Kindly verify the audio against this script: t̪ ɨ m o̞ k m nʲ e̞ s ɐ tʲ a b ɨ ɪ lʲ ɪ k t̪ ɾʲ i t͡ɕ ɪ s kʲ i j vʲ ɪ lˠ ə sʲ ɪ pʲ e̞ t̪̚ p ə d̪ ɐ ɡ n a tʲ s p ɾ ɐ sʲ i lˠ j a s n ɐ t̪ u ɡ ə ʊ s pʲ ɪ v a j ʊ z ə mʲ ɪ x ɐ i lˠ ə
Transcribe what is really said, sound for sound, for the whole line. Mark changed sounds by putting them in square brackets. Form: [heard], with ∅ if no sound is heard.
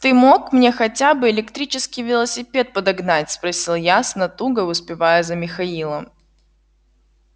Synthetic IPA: t̪ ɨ m o̞ k m nʲ e̞ [x] ɐ tʲ a b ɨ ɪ lʲ ɪ k t̪ ɾʲ i t͡ɕ ɪ s kʲ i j vʲ ɪ lˠ ə sʲ ɪ pʲ e̞ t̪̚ p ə d̪ ɐ ɡ n a tʲ s p ɾ ɐ sʲ i lˠ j a s n ɐ t̪ u ɡ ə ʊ s pʲ ɪ v a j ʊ z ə mʲ ɪ x ɐ i lˠ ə